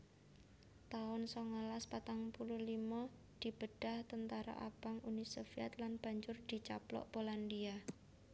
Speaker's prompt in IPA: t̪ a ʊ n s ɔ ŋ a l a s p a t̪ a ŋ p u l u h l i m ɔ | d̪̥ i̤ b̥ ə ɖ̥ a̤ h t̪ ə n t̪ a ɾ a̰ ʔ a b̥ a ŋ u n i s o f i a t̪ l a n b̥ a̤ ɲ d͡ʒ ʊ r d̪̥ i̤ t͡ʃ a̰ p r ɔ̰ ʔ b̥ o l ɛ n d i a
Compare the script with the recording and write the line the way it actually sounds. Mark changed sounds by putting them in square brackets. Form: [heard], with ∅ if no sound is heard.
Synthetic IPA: t̪ a ʊ n s ɔ ŋ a l a s p a t̪ a ŋ p u l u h l i m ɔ | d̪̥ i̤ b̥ ə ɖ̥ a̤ h t̪ ə n t̪ a ɾ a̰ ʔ a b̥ a ŋ u n i s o f i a t̪ l a n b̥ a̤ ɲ d͡ʒ ʊ r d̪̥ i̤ t͡ʃ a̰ p [l] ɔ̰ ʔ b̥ o l [a] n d i a